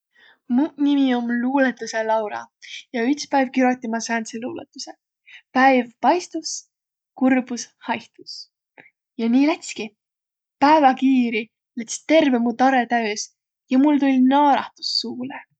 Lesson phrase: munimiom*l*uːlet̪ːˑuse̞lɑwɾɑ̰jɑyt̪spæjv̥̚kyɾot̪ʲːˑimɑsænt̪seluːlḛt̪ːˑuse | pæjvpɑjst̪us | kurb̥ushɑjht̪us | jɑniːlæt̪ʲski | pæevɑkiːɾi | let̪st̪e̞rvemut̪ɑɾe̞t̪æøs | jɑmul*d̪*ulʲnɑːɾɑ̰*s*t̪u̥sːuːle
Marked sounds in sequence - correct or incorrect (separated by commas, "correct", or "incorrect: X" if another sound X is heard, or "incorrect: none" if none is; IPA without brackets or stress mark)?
correct, incorrect: t̪, incorrect: h